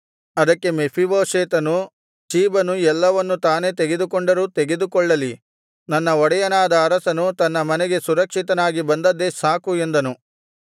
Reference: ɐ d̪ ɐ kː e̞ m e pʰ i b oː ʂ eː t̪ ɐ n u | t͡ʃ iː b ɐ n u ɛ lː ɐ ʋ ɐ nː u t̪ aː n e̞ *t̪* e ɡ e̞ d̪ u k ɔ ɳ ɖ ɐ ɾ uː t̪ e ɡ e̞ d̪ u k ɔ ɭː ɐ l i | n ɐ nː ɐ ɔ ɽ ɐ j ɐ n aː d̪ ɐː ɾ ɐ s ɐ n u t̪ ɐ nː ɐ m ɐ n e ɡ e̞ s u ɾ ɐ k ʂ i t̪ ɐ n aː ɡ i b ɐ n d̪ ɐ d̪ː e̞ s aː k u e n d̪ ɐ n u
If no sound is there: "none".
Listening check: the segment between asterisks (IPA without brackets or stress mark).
t̪